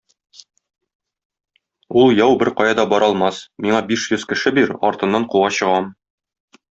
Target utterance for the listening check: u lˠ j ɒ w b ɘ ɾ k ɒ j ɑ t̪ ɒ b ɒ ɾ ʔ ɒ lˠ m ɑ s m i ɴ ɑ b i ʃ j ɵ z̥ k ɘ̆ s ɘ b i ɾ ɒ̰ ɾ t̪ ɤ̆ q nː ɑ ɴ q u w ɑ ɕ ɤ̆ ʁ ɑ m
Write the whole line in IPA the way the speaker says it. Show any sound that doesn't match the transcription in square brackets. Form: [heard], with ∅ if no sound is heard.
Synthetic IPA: u lˠ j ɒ w b ɘ ɾ [q] ɒ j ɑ [d̪] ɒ b ɒ ɾ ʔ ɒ lˠ m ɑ s m i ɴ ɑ b i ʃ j ɵ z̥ k ɘ̆ [ʃ] ɘ b i ɾ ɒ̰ ɾ t̪ ɤ̆ [∅] nː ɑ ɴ q u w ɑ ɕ ɤ̆ ʁ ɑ m